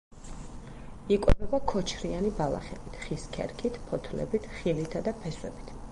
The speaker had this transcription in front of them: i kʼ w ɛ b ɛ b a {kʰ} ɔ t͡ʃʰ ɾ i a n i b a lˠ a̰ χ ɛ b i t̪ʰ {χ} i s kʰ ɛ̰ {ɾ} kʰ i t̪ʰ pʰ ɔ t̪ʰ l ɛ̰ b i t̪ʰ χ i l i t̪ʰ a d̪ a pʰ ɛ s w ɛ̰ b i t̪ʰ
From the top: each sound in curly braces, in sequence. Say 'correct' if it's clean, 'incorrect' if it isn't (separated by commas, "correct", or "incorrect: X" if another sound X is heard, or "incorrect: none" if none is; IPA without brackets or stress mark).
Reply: correct, correct, correct